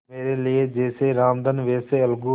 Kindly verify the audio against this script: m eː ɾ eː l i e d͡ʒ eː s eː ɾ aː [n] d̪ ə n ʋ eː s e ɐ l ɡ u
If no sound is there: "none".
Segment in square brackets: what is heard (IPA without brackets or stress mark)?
m